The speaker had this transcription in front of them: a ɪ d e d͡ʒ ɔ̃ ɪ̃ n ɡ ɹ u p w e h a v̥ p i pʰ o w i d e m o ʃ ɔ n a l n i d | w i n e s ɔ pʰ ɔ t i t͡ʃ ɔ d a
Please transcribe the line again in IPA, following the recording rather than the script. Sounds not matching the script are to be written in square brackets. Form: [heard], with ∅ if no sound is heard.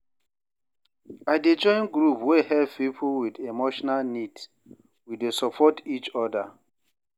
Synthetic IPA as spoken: a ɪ d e d͡ʒ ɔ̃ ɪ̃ n ɡ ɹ u p w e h [ɛ] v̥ p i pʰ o w i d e m o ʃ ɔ n a l n i d | w i [d] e s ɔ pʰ ɔ t i t͡ʃ ɔ d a